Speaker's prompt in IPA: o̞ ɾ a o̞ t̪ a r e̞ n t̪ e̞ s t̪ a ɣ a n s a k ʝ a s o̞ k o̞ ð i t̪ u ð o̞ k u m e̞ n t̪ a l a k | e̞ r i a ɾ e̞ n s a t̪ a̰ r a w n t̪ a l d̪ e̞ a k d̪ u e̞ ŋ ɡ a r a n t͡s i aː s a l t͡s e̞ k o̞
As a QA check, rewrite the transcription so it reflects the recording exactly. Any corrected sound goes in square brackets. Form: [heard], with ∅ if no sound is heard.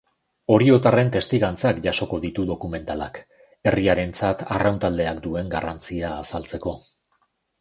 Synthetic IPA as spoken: o̞ ɾ [i] o̞ t̪ a r e̞ n t̪ e̞ s t̪ [i] ɣ a n [t͡s] a k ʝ a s o̞ k o̞ ð i t̪ u ð o̞ k u m e̞ n t̪ a l a k | e̞ r i a ɾ e̞ n [t͡s] a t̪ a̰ r a w n t̪ a l d̪ e̞ a k d̪ u e̞ ŋ ɡ a r a n t͡s i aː s a l t͡s e̞ k o̞

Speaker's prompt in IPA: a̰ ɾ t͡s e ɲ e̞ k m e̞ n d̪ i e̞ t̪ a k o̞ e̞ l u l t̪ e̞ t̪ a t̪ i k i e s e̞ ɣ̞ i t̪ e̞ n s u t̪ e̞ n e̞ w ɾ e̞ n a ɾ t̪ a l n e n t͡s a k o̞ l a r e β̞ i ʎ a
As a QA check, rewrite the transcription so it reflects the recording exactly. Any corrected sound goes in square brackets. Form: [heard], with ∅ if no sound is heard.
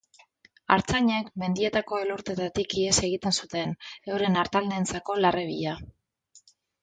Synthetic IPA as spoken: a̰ ɾ t͡s [a] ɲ e̞ k m e̞ n d̪ i e̞ t̪ a k o̞ e̞ l u [ɾ] t̪ e̞ t̪ a t̪ i k i e s e̞ ɣ̞ i t̪ e̞ n s u t̪ e̞ n e̞ w ɾ e̞ n a ɾ t̪ a l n e n t͡s a k o̞ l a r e β̞ i ʎ a

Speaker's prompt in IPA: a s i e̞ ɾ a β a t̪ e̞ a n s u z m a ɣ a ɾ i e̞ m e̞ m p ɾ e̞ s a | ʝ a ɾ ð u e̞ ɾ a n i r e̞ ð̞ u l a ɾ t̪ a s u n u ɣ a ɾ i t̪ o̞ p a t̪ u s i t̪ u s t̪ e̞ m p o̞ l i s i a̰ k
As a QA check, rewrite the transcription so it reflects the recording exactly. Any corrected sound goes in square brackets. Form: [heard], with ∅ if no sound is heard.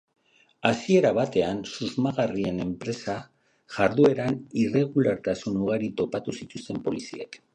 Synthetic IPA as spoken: a s i e̞ ɾ a β a t̪ e̞ a n s u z m a ɣ a [r] i e̞ [n] e̞ m p ɾ e̞ s a | ʝ a ɾ ð u e̞ ɾ a n i r e̞ [ɣ̞] u l a ɾ t̪ a s u n u ɣ a ɾ i t̪ o̞ p a t̪ u s i t̪ u s t̪ e̞ m p o̞ l i s i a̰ k

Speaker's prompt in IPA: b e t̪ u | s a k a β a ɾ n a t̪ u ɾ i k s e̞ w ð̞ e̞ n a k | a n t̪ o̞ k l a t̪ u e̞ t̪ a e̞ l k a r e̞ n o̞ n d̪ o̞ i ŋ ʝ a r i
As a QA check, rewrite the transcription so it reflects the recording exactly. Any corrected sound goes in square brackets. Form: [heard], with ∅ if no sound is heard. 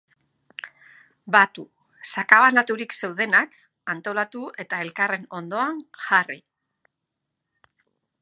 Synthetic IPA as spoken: b [a] t̪ u | s a k a β a [∅] n a t̪ u ɾ i k s e̞ w ð̞ e̞ n a k | a n t̪ o̞ [∅] l a t̪ u e̞ t̪ a e̞ l k a r e̞ n o̞ n d̪ o̞ [a] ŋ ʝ a r i

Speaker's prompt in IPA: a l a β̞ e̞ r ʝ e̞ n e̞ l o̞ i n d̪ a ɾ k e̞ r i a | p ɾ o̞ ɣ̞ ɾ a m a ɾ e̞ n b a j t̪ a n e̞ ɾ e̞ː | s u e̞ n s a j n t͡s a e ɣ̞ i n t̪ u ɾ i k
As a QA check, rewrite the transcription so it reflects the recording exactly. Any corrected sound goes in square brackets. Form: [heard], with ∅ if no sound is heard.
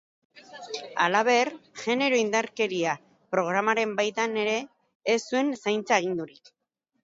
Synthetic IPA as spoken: a l a β̞ e̞ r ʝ e̞ n e̞ [ɾ] o̞ i n d̪ a ɾ k e̞ [ɾ] i a | p ɾ o̞ ɣ̞ ɾ a m a ɾ e̞ [m] b a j t̪ a n e̞ ɾ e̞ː | s u e̞ n s a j n t͡s a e ɣ̞ i n [d̪] u ɾ i k

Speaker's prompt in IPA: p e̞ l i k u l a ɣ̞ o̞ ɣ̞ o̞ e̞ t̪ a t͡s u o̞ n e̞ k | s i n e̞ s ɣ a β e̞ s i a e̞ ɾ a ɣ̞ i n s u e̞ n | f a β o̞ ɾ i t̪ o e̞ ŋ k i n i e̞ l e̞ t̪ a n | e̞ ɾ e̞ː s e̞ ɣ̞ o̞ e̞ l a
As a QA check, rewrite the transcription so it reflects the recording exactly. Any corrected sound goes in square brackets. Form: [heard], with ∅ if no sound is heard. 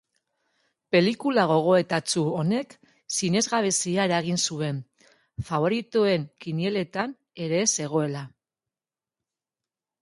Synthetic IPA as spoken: p e̞ l i k u l a ɣ̞ o̞ ɣ̞ o̞ e̞ t̪ a t͡s u o̞ n e̞ k | s i n e̞ [z] ɣ a β e̞ s i a e̞ ɾ a ɣ̞ i n s u e̞ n | f a β o̞ ɾ i t̪ o e̞ ŋ k i n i e̞ l e̞ t̪ a n | e̞ ɾ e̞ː s e̞ ɣ̞ o̞ e̞ l a

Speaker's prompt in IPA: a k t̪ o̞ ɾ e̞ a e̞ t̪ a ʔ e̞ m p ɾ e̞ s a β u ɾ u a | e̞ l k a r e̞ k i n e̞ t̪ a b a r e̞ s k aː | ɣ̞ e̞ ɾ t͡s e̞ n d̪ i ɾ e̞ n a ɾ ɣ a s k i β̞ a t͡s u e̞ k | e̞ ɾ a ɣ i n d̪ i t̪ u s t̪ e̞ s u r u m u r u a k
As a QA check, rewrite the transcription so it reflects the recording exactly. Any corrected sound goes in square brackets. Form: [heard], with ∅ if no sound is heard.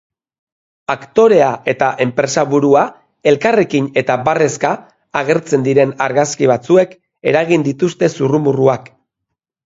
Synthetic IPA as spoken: a k t̪ o̞ ɾ e̞ a e̞ t̪ a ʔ e̞ m p ɾ e̞ s a β u ɾ u a | e̞ l k a r e̞ k i n e̞ t̪ a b a r e̞ s k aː | ɣ̞ e̞ ɾ t͡s e̞ n d̪ i ɾ e̞ n a ɾ ɣ a s k i β̞ a t͡s u e̞ k | e̞ ɾ a ɣ i n d̪ i t̪ u s t̪ e̞ s u r u m u r u a k

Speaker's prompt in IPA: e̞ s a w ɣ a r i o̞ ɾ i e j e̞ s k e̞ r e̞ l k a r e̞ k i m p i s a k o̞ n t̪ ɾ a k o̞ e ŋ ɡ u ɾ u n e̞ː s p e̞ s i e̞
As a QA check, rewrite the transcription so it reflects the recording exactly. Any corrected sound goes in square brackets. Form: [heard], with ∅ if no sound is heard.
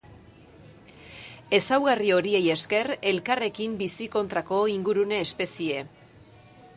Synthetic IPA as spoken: e̞ s a w ɣ a r i o̞ ɾ i e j e̞ s k e̞ r e̞ l k a r e̞ k i m [b] i s [i] k o̞ n t̪ ɾ a k o̞ [i] ŋ ɡ u ɾ u n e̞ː s p e̞ s i e̞

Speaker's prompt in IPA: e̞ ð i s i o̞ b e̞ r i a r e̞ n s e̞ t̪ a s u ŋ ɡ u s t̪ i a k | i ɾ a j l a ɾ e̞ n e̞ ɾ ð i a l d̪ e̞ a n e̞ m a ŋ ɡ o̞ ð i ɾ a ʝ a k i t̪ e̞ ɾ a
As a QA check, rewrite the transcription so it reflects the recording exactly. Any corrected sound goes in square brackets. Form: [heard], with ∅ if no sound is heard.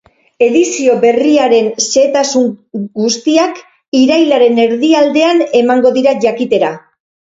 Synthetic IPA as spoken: e̞ ð i s i o̞ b e̞ r i a [ɾ] e̞ n s e̞ t̪ a s u ŋ ɡ u s t̪ i a k | i ɾ a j l a ɾ e̞ n e̞ ɾ ð i a l d̪ e̞ a n e̞ m a ŋ ɡ o̞ ð i ɾ a ʝ a k i t̪ e̞ ɾ a

